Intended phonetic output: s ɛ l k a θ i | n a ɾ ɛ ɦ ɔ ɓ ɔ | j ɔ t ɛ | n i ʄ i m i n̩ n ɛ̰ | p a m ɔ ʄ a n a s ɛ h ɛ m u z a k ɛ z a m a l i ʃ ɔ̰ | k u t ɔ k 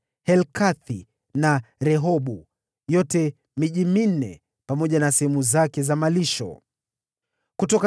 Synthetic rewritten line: h ɛ l k a θ i | n a ɾ ɛ ɦ ɔ ɓ u | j ɔ t ɛ | m i ʄ i m i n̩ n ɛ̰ | p a m ɔ ʄ a n a s ɛ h ɛ m u z a k ɛ z a m a l i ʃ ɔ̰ | k u t ɔ k